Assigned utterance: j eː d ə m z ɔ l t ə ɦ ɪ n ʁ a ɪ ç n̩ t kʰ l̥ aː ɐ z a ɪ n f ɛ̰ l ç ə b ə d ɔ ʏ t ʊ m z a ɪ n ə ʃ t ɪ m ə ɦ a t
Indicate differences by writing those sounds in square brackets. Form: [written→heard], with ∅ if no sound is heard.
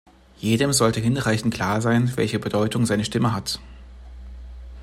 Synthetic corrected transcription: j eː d ə m z ɔ l t ə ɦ ɪ n ʁ a ɪ ç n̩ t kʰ l̥ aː ɐ z a ɪ n [f→v] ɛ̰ l ç ə b ə d ɔ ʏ t ʊ [m→ŋ] z a ɪ n ə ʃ t ɪ m ə ɦ a t